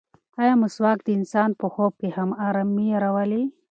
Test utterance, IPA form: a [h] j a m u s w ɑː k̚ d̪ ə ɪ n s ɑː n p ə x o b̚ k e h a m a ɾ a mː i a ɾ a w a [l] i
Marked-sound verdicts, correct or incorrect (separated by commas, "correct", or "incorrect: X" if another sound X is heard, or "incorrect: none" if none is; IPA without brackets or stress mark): incorrect: none, correct